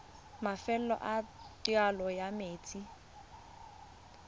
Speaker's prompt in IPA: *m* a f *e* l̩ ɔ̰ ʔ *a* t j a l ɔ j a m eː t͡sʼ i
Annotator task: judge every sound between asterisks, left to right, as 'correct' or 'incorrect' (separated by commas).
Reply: correct, incorrect, correct